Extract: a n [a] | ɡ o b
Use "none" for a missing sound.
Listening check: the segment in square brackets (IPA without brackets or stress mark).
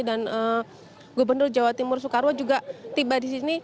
ə